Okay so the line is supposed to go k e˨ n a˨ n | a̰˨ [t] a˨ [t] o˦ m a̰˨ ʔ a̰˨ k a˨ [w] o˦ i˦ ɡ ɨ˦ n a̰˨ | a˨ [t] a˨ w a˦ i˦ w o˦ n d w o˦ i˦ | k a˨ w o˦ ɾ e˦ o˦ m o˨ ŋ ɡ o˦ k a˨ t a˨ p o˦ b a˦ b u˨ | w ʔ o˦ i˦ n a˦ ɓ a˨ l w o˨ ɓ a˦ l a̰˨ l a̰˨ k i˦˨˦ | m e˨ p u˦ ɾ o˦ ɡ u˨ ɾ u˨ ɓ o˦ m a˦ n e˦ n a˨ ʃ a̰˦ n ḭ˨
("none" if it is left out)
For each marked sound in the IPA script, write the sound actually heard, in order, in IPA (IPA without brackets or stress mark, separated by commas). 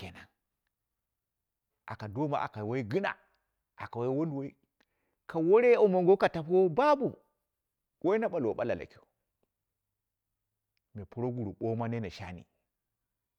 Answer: k, d, w, k